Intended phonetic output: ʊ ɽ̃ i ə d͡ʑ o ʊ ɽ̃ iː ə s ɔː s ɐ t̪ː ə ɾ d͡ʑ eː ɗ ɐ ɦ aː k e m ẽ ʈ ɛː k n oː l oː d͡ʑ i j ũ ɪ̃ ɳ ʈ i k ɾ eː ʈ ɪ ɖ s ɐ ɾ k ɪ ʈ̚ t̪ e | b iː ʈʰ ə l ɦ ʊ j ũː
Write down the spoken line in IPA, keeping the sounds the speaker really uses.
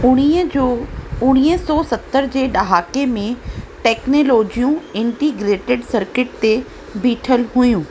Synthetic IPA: ʊ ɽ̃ i ə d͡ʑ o ʊ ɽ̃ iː ə s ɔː s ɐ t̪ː ə ɾ d͡ʑ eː ɗ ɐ ɦ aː k e m ẽ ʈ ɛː k n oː l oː d͡ʑ i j ũ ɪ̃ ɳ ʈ i ɡ ɾ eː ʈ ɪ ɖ s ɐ ɾ k ɪ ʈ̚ t̪ e | b iː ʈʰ ə l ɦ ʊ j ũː